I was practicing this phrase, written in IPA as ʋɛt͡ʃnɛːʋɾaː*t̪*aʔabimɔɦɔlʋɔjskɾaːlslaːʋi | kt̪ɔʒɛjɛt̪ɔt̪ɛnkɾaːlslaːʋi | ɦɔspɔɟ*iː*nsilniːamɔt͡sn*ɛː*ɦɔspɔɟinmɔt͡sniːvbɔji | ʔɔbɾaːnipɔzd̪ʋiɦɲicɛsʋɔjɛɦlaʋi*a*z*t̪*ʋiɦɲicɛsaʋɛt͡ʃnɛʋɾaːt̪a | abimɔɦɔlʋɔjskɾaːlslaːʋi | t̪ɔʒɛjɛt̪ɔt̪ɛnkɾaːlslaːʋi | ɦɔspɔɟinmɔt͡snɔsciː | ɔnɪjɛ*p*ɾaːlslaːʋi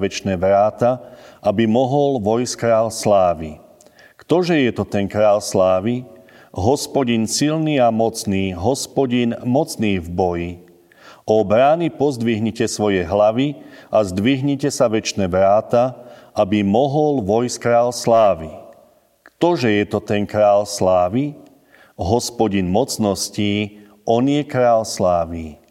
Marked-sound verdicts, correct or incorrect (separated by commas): correct, incorrect, incorrect, correct, incorrect, incorrect